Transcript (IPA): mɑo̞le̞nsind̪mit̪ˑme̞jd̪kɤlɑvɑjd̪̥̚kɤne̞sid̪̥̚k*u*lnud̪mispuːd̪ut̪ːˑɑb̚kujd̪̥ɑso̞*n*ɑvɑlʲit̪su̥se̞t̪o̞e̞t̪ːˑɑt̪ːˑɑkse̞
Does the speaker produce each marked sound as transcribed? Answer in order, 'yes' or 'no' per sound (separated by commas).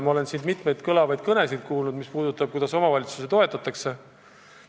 no, no